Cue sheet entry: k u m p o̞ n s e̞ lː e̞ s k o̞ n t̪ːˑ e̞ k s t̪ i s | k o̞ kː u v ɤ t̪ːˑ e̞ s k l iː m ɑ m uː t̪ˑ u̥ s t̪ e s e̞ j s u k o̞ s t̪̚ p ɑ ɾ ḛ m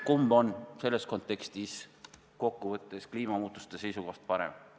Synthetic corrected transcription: k u m b o̞ n s e̞ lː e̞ s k o̞ n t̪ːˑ e̞ k s t̪ i s | k o̞ kː u v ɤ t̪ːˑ e̞ s k l iː m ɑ m uː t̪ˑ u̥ s t̪ e s e̞ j s u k o̞ h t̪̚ p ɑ ɾ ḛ m